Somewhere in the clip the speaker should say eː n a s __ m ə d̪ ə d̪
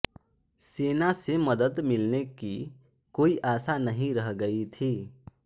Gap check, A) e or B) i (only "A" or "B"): A